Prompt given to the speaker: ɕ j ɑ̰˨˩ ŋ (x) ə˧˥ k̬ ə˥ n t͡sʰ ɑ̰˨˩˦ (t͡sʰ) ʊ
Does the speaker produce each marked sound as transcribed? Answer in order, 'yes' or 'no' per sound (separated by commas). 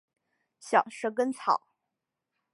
no, no